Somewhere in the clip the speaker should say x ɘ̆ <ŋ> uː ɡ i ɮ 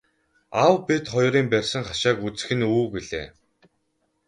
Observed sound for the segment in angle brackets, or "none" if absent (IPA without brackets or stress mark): n